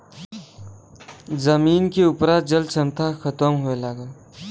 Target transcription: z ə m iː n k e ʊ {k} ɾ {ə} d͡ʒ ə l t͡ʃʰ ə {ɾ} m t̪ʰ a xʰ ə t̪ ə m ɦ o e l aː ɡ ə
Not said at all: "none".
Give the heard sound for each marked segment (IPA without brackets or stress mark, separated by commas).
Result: p, a, none